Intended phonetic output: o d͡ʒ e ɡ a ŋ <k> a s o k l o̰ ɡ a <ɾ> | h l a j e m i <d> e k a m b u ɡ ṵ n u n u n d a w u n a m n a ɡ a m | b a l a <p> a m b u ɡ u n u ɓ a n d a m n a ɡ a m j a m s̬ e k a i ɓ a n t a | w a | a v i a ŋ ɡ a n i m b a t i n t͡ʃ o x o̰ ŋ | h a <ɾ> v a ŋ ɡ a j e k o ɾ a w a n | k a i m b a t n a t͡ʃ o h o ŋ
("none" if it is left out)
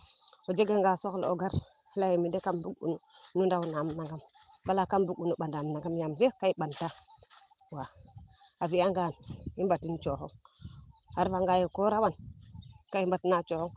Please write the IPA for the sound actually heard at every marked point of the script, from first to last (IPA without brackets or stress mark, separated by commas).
ɡ, ɾ, d, k, ɾ